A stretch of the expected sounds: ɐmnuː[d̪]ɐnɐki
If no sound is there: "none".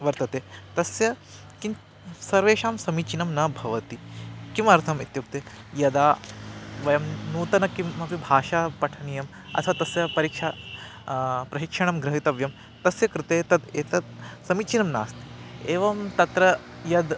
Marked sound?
t̪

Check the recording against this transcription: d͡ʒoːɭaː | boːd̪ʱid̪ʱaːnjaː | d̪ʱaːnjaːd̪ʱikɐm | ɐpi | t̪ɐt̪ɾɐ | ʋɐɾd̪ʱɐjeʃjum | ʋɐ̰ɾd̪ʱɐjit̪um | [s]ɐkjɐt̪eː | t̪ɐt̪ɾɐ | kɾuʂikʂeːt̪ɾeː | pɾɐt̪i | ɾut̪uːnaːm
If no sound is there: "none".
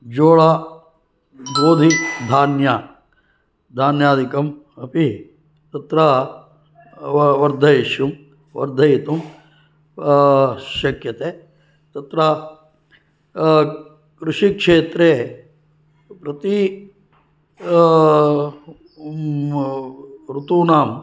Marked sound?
ʃ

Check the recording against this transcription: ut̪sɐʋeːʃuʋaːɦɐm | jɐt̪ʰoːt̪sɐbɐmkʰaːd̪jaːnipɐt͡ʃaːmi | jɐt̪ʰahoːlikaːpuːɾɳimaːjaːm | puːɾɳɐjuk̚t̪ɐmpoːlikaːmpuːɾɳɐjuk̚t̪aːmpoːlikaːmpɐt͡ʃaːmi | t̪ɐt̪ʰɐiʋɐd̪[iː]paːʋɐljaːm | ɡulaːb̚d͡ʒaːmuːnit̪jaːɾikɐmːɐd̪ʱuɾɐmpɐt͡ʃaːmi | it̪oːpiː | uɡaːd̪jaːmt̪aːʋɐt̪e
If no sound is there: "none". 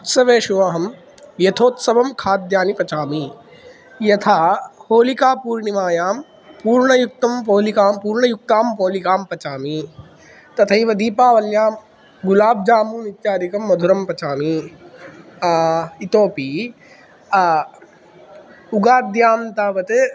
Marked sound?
iː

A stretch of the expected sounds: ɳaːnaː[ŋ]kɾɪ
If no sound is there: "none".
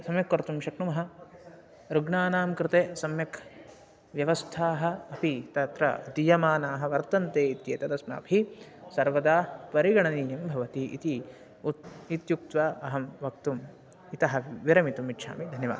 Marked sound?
m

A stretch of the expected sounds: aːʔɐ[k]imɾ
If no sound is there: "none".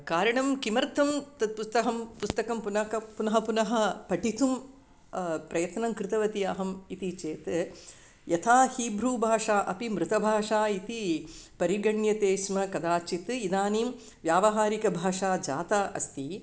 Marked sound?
p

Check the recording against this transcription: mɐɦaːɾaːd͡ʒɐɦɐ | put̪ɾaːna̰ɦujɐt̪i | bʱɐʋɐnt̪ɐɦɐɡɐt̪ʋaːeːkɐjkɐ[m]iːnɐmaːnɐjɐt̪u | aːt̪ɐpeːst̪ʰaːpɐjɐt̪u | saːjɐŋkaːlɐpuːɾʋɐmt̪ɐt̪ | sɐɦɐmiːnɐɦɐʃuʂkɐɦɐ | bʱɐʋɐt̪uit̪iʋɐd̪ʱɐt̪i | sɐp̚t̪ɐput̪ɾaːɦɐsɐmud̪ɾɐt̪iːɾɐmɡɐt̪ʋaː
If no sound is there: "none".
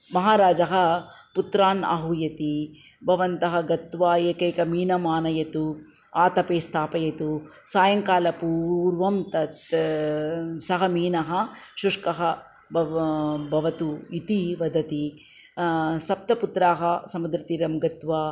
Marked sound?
m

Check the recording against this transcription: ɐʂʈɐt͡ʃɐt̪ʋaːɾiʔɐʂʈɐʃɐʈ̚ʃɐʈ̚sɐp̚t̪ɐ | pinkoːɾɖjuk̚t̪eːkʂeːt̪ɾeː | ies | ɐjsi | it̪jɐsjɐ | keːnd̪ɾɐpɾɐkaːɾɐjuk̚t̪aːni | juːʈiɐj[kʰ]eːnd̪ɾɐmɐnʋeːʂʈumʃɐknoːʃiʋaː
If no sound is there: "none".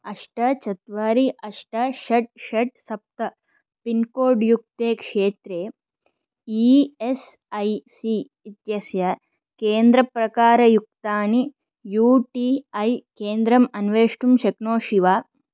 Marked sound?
k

